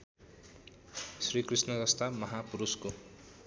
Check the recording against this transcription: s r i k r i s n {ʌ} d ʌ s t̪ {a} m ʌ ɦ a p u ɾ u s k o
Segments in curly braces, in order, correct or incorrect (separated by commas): correct, correct